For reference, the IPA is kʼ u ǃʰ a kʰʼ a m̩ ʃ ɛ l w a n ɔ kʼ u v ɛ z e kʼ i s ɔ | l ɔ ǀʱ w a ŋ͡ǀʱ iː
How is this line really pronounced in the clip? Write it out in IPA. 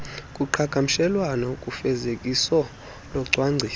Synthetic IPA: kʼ u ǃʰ a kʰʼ a m̩ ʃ ɛ l w a n ɔ kʼ u f ɛ z e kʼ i s ɔ | l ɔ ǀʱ w a ŋ͡ǀʱ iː